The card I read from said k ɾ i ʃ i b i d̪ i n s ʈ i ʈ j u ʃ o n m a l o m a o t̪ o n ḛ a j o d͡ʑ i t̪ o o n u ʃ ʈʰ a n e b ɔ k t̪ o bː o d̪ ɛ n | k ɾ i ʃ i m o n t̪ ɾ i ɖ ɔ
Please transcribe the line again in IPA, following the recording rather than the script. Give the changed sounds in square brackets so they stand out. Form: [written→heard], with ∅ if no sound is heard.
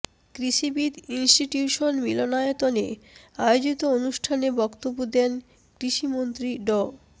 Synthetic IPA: k ɾ i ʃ i b i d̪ i n s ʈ i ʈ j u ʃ o n m [a→i] l o [m→n] a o t̪ o n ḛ a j o d͡ʑ i t̪ o o n u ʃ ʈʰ a n e b ɔ k t̪ o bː o d̪ ɛ n | k ɾ i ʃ i m o n t̪ ɾ i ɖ ɔ